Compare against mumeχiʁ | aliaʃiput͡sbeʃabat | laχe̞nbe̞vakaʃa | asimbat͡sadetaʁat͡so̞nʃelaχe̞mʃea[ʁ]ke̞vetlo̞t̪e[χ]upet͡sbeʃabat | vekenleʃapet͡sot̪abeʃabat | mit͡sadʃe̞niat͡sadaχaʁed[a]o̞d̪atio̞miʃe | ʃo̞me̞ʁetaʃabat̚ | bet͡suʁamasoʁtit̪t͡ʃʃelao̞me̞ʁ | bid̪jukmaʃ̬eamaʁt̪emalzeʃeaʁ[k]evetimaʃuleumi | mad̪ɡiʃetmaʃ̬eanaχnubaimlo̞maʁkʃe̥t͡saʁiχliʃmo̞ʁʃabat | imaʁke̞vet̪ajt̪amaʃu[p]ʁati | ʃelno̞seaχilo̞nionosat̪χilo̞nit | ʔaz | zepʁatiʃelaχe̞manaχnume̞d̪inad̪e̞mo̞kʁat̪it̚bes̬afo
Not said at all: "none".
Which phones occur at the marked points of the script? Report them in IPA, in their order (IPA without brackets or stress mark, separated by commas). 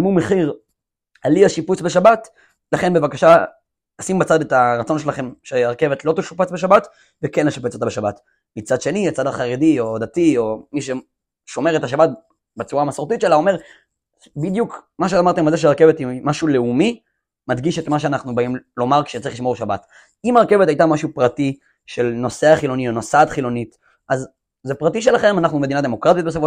ʁ, ʃ, i, k, p